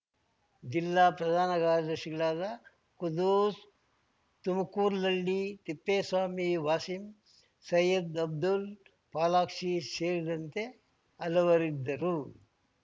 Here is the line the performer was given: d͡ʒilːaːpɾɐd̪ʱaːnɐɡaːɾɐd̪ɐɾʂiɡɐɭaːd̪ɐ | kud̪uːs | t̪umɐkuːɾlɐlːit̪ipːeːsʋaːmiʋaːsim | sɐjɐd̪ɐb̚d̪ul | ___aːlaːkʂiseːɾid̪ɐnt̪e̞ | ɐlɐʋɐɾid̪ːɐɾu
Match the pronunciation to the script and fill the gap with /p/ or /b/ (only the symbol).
p